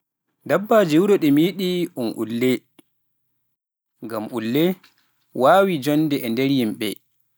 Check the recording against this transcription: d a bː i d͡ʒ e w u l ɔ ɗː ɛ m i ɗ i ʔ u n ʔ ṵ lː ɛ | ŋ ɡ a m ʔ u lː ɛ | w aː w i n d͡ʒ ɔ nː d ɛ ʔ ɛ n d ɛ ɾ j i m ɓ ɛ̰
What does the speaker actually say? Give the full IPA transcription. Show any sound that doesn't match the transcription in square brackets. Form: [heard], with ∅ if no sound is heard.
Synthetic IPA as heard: d a bː [a] d͡ʒ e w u [ɾ] ɔ [ɗ] ɛ m i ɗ i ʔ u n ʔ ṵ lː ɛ | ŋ ɡ a m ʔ u lː ɛ | w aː w i [∅] d͡ʒ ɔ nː d ɛ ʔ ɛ n d ɛ ɾ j i m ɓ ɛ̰